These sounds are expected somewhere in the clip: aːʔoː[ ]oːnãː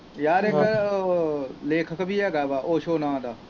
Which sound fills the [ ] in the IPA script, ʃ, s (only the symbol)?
ʃ